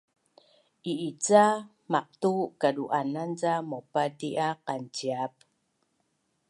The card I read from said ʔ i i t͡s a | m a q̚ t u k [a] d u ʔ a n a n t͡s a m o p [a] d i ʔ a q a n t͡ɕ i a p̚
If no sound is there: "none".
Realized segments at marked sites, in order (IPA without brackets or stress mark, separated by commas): a, a